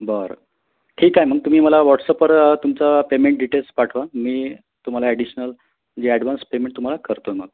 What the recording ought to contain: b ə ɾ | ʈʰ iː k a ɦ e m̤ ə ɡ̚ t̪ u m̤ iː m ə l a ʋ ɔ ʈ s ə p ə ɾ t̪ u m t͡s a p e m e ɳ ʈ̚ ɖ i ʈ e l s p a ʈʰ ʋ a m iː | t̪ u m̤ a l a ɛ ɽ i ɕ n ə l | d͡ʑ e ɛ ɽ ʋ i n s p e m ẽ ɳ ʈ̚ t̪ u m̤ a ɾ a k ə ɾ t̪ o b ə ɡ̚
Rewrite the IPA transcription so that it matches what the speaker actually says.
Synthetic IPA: b ə ɾ | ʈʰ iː k a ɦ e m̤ ə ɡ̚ t̪ u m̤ iː m ə l a ʋ ɔ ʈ s ə p ə ɾ t̪ u m t͡s a p e m e ɳ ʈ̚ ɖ i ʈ e l s p a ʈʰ ʋ a m iː | t̪ u m̤ a l a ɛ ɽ i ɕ n ə l | d͡ʑ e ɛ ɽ ʋ a n s p e m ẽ ɳ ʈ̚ t̪ u m̤ a l a k ə ɾ t̪ o m ə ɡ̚